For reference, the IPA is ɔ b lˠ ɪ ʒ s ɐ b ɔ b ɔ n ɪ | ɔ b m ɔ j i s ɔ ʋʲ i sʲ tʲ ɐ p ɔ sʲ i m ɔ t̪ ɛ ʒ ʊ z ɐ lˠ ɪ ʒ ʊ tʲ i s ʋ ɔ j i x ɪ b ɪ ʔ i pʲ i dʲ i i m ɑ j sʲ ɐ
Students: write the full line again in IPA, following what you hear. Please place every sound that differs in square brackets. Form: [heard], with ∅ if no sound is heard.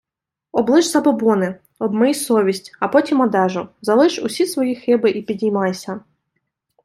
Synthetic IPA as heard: ɔ b lˠ ɪ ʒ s ɐ b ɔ b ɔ n ɪ | ɔ b m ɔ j i s ɔ ʋʲ i sʲ tʲ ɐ p ɔ [tʲ] i m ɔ [d̪] ɛ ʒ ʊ z ɐ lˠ ɪ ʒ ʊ [sʲ] i s ʋ ɔ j i x ɪ b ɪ ʔ i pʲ i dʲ i [j] m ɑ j sʲ ɐ